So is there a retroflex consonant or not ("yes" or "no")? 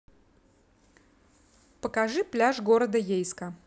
yes